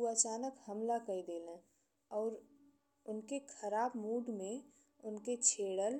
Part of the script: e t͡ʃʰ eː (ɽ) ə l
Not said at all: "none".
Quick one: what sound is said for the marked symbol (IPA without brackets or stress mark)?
ɽ